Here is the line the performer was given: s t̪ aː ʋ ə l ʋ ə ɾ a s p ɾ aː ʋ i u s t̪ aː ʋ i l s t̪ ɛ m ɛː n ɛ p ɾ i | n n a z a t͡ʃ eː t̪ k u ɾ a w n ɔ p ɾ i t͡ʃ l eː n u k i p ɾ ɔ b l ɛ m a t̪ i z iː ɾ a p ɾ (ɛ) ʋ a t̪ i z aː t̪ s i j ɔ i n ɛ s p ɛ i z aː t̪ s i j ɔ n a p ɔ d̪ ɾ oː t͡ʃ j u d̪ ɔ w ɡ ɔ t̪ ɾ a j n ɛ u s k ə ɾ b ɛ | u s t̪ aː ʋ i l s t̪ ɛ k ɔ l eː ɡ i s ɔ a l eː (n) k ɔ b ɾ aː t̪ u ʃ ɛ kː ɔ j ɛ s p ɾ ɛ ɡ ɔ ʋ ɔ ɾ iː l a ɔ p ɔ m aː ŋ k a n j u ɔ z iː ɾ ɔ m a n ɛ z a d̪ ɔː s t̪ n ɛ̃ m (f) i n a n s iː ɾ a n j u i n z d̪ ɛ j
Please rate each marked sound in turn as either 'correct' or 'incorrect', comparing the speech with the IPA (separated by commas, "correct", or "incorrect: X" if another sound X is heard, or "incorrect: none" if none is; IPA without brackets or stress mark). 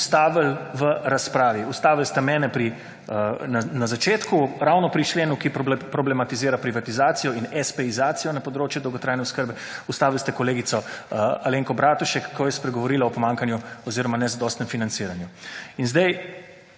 incorrect: i, incorrect: ŋ, correct